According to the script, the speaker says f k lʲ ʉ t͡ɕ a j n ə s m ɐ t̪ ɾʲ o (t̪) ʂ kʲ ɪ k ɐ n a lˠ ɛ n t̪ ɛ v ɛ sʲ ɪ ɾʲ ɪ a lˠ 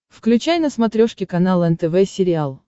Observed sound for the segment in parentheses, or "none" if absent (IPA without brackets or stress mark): none